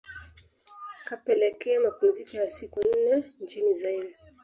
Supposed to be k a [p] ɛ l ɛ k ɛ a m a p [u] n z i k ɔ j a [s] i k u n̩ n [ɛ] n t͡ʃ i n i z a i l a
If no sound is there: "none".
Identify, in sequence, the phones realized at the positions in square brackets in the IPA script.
p, u, s, ɛ

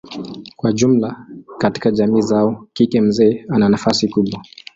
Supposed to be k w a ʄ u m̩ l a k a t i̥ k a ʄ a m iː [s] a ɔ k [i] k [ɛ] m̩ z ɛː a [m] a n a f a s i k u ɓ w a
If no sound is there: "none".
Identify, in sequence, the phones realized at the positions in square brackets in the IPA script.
z, i, ɛ, n

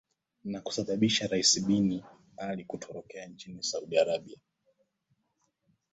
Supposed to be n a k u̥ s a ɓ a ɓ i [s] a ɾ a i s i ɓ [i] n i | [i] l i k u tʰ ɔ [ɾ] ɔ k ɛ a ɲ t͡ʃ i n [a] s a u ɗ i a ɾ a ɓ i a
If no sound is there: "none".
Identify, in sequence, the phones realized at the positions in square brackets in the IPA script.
ʃ, i, a, ɾ, i

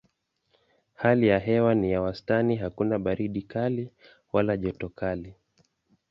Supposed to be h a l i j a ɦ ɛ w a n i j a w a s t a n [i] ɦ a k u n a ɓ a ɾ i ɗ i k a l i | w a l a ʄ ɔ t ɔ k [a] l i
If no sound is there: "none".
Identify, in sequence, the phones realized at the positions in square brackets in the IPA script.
i, a

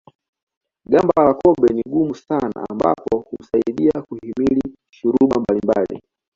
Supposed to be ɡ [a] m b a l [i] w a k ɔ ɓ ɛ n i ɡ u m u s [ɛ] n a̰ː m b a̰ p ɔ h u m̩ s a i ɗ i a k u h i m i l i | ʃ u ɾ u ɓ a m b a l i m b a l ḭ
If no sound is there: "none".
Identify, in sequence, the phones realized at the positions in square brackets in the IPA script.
a, a, a

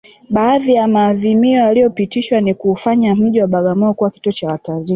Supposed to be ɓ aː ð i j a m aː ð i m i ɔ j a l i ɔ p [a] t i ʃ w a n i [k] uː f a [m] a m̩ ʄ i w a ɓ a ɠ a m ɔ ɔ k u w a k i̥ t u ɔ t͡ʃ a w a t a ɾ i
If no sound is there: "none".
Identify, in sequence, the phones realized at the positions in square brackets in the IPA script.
i, k, ɲ

